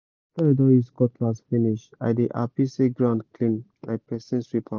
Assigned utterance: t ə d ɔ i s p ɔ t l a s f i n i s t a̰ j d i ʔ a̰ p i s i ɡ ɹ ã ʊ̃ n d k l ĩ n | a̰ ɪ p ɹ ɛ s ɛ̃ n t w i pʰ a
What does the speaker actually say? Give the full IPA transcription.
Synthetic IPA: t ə d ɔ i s k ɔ t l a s f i n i ʃ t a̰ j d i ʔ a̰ p i s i ɡ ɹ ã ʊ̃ n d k l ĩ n | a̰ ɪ p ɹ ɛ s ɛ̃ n s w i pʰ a